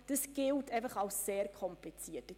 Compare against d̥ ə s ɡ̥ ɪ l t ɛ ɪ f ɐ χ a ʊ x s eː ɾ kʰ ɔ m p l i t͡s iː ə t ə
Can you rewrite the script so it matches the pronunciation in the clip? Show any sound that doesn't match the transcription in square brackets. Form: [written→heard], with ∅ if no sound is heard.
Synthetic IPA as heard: d̥ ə s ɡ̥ ɪ l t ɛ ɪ f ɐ χ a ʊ [x→s] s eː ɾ kʰ ɔ m p l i t͡s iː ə t ə

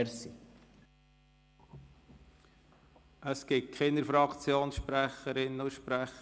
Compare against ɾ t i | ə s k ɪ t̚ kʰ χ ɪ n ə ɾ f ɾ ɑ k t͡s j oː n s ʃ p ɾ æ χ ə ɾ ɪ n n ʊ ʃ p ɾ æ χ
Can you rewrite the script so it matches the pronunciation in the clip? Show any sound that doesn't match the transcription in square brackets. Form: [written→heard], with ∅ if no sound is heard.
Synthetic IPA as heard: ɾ [t→s] i | ə s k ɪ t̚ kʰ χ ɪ n ə ɾ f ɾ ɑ k t͡s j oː n s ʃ p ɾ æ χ ə ɾ ɪ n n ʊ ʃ p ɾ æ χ

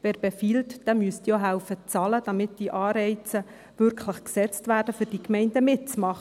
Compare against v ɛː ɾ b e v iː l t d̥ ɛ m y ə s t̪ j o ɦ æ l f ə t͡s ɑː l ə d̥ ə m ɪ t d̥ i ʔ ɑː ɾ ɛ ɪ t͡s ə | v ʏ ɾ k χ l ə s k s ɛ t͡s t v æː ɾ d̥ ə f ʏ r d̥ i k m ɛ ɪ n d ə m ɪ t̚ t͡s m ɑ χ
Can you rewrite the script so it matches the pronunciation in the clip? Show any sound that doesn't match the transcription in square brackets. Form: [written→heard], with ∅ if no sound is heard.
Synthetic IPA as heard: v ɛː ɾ b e [v→f] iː l t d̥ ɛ m y ə s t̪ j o ɦ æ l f ə t͡s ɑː l ə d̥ [ə→ɑ] m ɪ t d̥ i ʔ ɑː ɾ ɛ ɪ t͡s ə | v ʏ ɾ k χ l ə [s→χ] k s ɛ t͡s t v æː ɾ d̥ ə f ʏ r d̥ i k m ɛ ɪ n d ə m ɪ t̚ t͡s m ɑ χ

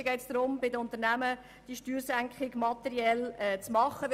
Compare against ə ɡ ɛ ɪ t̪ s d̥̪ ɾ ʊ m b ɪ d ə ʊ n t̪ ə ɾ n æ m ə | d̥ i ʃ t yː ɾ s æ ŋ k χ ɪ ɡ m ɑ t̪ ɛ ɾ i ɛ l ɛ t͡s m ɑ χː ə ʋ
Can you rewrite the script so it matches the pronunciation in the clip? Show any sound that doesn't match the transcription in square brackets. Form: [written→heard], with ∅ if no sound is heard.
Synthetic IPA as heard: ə ɡ ɛ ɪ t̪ s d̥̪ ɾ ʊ m b ɪ d ə ʊ n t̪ ə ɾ n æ m ə | d̥ i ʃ t yː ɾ s æ ŋ k χ ɪ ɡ m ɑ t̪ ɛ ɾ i ɛ l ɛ t͡s m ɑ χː ə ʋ

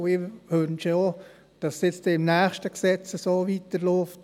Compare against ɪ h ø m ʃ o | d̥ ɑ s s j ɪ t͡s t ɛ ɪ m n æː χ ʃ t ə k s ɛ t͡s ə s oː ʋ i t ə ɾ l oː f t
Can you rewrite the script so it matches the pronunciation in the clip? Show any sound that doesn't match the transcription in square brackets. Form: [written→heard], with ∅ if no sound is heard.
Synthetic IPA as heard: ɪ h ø [m→n] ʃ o | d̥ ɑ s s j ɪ t͡s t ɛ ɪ m n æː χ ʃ t ə k s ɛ t͡s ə s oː ʋ i t ə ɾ l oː f t

